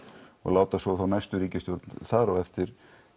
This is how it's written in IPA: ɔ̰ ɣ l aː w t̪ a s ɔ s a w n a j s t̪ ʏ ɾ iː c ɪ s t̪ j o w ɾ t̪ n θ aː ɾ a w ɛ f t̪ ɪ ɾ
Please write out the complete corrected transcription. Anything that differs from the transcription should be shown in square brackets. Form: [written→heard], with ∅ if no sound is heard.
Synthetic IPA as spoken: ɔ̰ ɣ l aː w t̪ a s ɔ [s→θ] a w n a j s t̪ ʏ ɾ iː c ɪ s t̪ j o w ɾ t̪ n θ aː ɾ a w ɛ f t̪ ɪ ɾ